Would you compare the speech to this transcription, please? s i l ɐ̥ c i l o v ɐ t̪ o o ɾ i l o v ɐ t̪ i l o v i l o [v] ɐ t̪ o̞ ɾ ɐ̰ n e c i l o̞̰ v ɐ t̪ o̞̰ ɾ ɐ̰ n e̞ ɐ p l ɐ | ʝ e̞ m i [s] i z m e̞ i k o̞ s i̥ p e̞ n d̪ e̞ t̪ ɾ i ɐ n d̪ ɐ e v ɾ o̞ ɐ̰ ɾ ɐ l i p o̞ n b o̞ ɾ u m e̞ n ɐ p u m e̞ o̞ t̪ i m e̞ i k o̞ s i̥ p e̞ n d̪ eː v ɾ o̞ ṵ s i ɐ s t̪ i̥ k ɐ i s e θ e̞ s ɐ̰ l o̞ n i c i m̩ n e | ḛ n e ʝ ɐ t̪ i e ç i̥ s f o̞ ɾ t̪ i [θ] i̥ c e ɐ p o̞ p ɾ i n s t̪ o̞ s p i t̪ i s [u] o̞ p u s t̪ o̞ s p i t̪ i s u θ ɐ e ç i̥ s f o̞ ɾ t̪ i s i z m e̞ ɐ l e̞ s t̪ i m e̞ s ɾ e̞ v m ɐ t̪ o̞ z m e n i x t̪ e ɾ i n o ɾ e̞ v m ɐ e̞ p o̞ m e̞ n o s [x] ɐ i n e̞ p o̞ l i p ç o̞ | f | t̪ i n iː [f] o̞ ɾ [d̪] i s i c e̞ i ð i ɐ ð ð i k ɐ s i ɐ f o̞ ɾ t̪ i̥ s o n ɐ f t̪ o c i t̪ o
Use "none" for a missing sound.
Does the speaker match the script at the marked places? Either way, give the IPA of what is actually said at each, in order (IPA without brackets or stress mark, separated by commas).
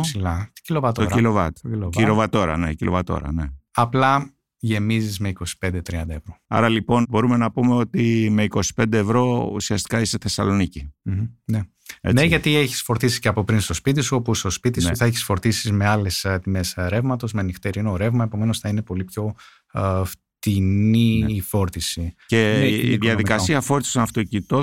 v, z, s, u, θ, f, t̪